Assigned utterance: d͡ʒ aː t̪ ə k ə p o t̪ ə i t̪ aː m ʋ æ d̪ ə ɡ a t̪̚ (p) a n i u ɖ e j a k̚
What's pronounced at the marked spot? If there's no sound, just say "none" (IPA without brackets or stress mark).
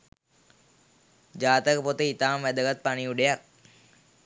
p